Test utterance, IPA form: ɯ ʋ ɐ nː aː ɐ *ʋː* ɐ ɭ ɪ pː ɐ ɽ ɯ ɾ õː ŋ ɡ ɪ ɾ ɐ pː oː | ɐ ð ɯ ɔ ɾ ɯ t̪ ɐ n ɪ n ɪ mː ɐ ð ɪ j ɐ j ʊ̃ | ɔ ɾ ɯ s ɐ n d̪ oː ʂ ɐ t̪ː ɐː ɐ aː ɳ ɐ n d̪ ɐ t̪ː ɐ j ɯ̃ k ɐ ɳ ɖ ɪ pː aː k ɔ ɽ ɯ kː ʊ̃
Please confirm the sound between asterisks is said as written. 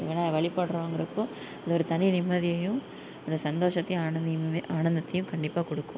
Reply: no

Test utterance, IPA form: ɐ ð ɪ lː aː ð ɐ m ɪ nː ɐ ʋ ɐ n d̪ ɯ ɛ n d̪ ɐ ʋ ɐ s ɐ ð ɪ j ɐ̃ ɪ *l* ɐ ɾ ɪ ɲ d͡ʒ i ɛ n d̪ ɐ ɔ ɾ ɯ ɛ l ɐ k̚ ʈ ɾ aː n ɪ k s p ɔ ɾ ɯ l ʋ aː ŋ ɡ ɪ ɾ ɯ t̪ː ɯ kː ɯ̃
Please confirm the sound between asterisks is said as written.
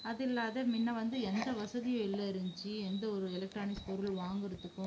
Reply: no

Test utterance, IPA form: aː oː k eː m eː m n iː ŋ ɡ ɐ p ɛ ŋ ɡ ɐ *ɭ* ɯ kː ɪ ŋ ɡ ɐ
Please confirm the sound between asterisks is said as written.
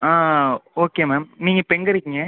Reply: no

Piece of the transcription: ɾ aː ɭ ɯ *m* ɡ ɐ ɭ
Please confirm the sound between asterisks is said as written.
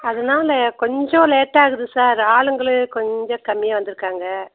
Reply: no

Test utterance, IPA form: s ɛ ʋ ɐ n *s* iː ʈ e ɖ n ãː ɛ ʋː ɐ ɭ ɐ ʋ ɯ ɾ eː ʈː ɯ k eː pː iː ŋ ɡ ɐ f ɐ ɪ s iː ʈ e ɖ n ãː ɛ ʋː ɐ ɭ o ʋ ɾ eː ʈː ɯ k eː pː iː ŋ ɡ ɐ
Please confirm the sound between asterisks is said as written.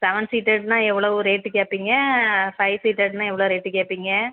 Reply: yes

